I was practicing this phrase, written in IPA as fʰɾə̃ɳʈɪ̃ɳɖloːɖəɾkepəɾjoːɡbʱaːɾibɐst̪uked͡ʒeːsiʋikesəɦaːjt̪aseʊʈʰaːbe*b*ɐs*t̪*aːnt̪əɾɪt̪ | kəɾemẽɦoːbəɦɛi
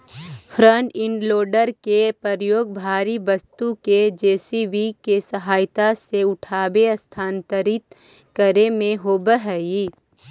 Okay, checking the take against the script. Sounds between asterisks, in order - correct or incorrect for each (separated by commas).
incorrect, incorrect